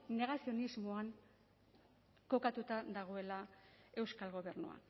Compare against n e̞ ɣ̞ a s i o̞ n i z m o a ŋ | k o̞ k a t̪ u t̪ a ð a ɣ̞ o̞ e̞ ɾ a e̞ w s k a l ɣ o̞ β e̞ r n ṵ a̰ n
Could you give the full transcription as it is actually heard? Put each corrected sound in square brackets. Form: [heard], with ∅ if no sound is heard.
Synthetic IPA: n e̞ ɣ̞ a s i o̞ n i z m o a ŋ | k o̞ k a t̪ u t̪ a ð a ɣ̞ o̞ e̞ [l] a e̞ w s k a l ɣ o̞ β e̞ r n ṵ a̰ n